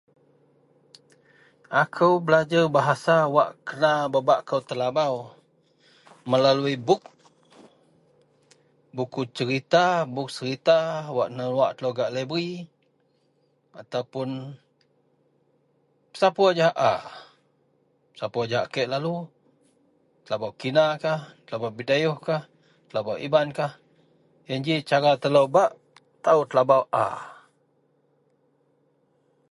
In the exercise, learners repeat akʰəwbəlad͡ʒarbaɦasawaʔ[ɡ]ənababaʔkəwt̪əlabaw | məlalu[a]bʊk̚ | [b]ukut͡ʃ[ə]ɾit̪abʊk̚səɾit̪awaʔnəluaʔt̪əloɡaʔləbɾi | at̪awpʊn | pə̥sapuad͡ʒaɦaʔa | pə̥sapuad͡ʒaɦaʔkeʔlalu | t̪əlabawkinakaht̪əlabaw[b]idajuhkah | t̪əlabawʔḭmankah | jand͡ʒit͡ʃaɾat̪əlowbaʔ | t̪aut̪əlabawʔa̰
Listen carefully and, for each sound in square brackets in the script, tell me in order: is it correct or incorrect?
incorrect, incorrect, correct, correct, correct

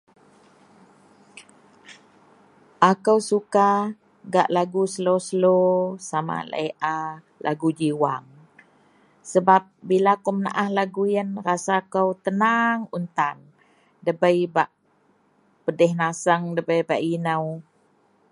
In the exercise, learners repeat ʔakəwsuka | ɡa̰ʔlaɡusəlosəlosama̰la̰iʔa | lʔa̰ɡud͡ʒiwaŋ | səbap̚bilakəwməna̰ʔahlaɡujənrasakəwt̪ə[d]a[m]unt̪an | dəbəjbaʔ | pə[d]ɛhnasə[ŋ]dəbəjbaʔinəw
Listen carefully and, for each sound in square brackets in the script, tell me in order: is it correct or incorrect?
incorrect, incorrect, correct, correct

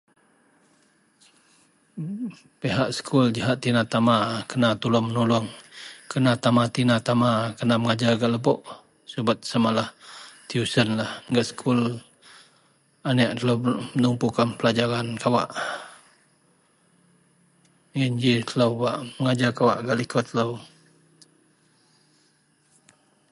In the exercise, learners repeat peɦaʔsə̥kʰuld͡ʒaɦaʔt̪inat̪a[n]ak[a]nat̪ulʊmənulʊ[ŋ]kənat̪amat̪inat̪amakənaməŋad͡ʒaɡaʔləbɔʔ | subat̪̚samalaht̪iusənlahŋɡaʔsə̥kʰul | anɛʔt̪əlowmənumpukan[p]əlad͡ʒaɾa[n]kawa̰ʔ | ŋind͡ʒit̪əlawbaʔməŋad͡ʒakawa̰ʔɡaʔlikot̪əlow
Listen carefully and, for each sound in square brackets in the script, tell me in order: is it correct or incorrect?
incorrect, incorrect, correct, correct, correct

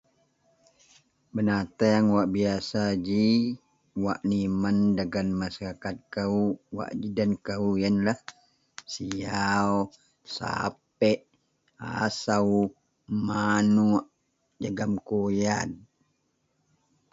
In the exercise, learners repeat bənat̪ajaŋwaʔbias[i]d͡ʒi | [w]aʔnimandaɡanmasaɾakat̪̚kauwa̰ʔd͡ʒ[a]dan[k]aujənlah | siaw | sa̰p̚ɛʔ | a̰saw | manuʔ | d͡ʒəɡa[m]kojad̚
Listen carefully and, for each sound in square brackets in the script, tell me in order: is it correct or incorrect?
incorrect, correct, incorrect, correct, correct

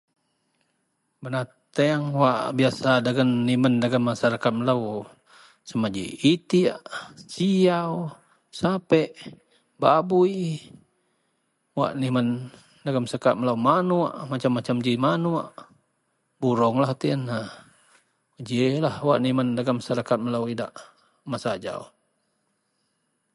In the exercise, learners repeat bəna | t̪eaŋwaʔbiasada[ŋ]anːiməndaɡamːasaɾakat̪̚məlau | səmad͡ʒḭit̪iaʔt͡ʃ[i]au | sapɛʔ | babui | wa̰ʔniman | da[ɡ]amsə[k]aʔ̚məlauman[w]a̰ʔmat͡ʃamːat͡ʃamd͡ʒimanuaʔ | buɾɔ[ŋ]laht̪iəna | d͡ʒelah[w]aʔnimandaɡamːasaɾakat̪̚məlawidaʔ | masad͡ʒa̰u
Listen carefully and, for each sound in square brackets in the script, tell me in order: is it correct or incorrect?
incorrect, correct, correct, correct, incorrect, correct, correct

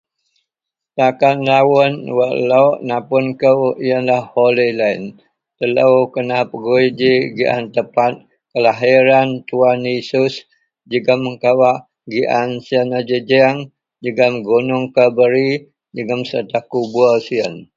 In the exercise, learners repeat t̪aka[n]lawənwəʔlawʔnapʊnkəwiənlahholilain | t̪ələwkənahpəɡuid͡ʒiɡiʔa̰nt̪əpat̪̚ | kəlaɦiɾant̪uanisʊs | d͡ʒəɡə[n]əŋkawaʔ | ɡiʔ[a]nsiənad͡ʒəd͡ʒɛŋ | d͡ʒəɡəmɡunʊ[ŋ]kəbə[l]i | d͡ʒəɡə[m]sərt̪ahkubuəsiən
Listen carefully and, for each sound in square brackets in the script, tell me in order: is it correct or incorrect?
correct, incorrect, correct, correct, incorrect, correct

